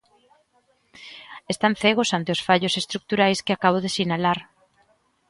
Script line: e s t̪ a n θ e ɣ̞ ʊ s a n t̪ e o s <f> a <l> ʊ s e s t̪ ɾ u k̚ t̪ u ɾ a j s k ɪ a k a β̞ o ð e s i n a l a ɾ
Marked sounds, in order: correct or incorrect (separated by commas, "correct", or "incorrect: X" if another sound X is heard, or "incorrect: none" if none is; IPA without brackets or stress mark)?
correct, incorrect: ʎ